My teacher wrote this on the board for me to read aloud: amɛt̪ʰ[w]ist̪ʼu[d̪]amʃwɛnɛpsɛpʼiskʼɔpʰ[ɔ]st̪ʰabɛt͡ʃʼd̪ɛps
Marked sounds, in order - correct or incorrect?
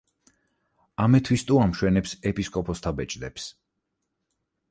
correct, incorrect, correct

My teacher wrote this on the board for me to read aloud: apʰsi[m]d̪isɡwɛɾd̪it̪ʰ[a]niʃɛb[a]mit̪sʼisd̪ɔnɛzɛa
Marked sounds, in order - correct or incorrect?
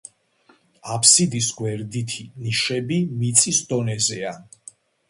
incorrect, incorrect, incorrect

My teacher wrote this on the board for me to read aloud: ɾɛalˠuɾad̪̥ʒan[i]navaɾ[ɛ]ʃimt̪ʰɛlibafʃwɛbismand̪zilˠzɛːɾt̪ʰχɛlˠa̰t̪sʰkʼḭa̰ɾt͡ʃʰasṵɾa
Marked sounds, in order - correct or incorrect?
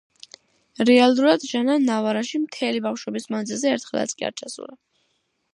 incorrect, incorrect

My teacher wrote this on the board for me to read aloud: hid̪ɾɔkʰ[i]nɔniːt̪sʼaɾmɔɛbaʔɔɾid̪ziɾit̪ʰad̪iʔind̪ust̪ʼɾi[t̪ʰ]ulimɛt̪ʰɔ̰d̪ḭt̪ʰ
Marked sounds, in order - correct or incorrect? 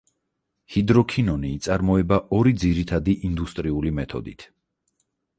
correct, incorrect

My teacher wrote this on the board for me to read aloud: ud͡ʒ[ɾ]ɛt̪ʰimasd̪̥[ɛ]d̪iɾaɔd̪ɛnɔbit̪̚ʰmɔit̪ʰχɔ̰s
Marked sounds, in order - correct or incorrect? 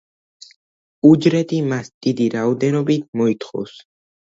correct, incorrect

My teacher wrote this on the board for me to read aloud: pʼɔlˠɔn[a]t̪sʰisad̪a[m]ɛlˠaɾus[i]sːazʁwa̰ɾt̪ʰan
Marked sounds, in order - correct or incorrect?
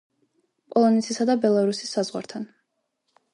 incorrect, incorrect, correct

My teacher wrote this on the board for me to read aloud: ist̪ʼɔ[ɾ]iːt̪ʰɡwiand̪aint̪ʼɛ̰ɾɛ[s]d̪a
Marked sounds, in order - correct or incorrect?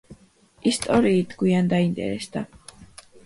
correct, correct

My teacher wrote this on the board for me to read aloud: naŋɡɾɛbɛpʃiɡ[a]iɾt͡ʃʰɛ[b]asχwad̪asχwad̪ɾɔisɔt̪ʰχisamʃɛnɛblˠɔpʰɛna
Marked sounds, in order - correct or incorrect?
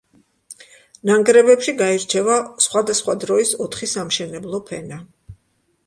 correct, incorrect

